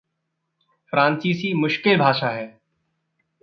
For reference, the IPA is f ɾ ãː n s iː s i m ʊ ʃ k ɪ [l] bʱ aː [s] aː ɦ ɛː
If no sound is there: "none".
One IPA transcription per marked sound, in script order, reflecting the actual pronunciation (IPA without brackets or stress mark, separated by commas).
l, ʃ